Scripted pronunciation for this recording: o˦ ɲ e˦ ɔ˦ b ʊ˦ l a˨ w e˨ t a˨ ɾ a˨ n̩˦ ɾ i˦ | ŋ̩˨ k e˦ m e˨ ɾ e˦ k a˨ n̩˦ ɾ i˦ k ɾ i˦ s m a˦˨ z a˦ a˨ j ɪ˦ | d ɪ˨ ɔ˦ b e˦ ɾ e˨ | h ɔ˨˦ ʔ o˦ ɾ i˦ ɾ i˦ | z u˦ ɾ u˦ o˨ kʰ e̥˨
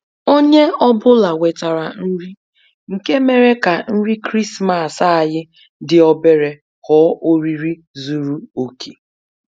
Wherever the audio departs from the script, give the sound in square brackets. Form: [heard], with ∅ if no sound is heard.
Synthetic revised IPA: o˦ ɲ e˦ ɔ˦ b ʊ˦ l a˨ w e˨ t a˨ ɾ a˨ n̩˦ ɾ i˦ | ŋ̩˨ k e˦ m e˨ ɾ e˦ k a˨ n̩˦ ɾ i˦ k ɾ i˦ s m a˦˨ [s] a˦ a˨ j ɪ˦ | d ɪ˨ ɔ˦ b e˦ ɾ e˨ | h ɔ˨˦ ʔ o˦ ɾ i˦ ɾ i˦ | z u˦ ɾ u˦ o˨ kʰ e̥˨